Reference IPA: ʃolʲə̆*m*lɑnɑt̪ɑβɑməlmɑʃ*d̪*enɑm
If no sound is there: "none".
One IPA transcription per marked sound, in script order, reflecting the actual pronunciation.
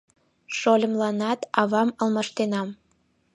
m, t̪

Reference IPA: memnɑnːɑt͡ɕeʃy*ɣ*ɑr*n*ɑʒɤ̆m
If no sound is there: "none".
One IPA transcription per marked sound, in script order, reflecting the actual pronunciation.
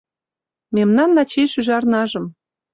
ʒ, n

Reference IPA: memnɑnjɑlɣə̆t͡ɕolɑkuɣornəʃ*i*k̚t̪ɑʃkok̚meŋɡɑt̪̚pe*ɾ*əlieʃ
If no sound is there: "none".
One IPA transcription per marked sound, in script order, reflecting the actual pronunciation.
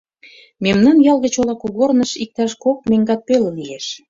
i, l

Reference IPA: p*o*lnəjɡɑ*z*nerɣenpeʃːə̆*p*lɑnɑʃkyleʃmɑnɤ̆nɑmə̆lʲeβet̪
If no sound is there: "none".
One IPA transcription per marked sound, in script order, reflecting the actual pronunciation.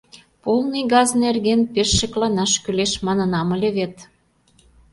o, z, k

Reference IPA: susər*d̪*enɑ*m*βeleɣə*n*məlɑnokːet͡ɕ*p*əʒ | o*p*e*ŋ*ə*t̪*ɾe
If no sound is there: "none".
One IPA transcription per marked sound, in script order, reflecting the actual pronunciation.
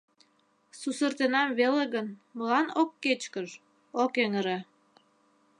t̪, m, n, k, k, ŋ, none

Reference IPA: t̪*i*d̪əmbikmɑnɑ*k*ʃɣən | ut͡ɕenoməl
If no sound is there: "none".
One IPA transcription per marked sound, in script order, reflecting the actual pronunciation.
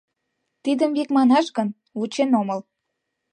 i, none

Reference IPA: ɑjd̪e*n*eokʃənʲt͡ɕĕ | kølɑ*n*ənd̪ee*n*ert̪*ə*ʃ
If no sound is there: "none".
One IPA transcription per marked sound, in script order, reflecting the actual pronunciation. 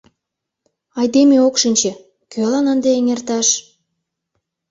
m, n, ŋ, ɑ

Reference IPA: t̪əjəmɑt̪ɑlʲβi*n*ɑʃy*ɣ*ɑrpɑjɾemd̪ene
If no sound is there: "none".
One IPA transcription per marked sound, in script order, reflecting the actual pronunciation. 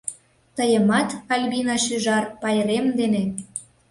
n, ʒ

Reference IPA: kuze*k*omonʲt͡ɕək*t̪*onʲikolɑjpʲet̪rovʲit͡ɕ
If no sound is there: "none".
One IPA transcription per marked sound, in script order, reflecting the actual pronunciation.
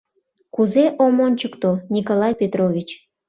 ʔ, t̪

